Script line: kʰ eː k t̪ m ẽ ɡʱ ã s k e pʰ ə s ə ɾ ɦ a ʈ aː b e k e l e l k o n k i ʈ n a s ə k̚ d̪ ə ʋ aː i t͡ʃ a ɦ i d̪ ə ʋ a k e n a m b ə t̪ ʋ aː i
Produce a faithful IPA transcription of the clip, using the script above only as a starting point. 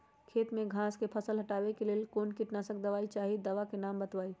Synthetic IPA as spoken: kʰ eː t̪ m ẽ ɡʱ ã s k e pʰ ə s ə l ɦ ə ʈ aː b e k e l e l k o n k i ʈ n a s ə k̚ d̪ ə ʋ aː i t͡ʃ a ɦ i d̪ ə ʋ a k e n a m b ə t̪ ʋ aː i